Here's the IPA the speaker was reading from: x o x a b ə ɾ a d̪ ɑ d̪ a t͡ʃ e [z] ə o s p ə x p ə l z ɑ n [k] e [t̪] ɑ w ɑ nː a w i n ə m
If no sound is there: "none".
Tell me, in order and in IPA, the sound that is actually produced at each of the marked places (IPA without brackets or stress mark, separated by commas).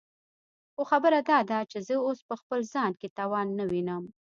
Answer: z, k, t̪